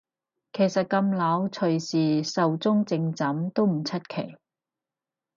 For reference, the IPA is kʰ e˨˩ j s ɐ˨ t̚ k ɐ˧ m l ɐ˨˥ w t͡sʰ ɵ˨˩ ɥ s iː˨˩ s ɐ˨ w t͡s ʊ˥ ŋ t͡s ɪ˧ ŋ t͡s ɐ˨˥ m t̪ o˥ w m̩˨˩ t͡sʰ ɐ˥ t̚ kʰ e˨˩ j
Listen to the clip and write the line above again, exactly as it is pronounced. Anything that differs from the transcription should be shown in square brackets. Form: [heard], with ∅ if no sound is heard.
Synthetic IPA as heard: kʰ e˨˩ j s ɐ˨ t̚ k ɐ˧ m l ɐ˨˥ w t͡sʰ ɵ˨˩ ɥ s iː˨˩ s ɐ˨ w t͡s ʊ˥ ŋ t͡s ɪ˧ ŋ t͡s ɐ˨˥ m t̪ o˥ w m̩˨˩ t͡sʰ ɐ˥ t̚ kʰ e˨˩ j